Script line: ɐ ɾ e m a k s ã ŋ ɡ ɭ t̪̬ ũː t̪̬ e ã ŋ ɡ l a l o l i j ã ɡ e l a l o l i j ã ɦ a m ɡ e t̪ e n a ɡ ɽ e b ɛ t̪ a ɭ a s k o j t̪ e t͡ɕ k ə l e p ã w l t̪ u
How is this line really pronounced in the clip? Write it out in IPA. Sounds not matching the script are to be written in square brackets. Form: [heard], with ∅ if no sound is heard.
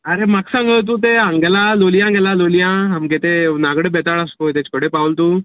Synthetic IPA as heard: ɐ ɾ e m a k s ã ŋ ɡ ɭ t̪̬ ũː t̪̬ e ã ŋ ɡ l a l o l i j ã ɡ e l a l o l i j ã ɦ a m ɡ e t̪ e n a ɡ ɽ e b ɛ t̪ a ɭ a s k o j t̪ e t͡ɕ k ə [ɽ] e p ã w l t̪ u